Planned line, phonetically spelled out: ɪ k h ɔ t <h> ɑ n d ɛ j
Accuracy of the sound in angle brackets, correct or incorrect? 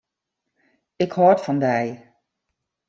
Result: incorrect